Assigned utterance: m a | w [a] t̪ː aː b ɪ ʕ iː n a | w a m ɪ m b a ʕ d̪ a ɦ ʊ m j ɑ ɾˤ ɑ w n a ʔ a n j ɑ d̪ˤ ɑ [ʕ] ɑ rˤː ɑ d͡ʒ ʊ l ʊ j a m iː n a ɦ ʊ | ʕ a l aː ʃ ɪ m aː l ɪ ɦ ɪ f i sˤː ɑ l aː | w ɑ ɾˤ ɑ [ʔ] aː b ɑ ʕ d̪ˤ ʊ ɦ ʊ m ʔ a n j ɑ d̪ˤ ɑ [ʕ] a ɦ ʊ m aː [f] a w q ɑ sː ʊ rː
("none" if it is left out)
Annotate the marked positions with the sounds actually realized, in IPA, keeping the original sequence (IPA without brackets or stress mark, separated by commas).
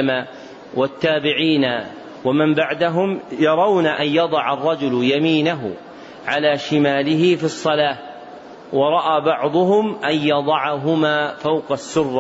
a, ʕ, ʔ, ʕ, f